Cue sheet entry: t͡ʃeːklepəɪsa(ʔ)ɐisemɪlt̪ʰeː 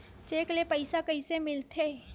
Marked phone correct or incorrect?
incorrect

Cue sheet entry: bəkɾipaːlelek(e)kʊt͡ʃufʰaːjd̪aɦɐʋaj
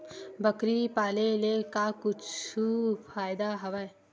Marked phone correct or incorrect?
incorrect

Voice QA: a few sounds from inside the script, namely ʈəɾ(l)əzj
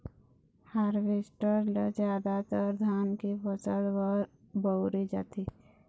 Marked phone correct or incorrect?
correct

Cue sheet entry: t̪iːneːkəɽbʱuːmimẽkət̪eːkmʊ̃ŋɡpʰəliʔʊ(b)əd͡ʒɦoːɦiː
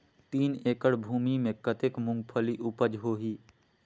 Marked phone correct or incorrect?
incorrect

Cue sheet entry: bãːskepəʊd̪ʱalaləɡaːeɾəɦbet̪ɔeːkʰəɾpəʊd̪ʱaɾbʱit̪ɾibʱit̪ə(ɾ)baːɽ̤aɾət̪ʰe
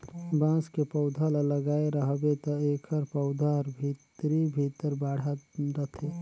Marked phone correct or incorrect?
correct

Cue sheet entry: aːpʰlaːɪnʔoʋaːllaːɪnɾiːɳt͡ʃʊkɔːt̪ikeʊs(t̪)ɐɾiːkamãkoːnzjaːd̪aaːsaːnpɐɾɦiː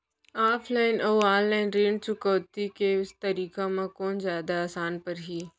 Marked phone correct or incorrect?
correct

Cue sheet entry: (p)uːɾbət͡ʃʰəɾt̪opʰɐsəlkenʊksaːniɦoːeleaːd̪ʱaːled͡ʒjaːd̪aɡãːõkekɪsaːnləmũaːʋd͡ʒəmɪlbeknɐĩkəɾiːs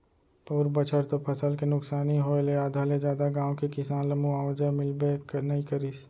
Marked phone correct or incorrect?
correct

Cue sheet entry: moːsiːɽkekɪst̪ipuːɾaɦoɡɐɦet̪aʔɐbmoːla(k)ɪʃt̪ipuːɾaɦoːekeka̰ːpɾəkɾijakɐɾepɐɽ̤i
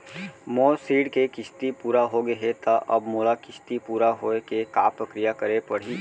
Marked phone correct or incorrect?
correct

